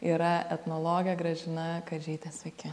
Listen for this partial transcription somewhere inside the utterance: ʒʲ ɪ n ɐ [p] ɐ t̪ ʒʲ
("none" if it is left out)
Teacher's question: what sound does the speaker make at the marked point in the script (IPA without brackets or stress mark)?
k